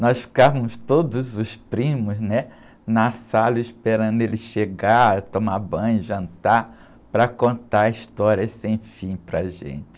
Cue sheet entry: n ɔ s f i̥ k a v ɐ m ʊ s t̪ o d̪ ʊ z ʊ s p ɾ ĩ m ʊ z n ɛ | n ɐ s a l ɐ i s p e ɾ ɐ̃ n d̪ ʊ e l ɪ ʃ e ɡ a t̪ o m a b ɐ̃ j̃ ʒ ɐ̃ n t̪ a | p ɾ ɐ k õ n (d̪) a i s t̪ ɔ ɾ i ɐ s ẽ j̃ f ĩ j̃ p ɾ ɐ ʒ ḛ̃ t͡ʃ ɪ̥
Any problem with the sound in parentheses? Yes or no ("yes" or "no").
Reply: yes